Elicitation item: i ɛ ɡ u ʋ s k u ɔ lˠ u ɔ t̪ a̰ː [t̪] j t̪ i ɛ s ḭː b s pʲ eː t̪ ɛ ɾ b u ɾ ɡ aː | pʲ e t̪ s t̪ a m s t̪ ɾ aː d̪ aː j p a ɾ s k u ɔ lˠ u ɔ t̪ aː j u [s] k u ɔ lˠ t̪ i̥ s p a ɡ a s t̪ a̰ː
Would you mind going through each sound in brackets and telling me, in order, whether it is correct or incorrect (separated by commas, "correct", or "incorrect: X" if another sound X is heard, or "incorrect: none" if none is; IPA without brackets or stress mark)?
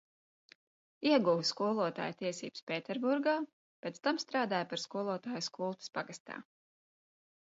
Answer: incorrect: none, correct